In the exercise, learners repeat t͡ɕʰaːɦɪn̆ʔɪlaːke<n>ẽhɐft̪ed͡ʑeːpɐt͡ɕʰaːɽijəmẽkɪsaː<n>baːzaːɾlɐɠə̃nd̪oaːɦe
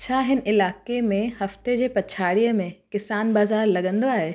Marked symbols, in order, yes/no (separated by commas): no, yes